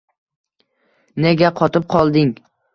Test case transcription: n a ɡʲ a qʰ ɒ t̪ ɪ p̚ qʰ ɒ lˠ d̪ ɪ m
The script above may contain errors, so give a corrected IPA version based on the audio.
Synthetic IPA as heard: n e ɡʲ a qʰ ɒ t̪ ɪ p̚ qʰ ɒ lˠ d̪ ɪ ŋ